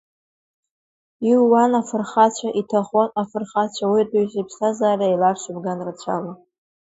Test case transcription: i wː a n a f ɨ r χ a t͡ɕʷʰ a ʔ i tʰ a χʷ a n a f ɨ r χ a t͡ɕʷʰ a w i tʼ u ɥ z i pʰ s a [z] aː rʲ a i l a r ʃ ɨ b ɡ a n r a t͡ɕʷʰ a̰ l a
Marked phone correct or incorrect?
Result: correct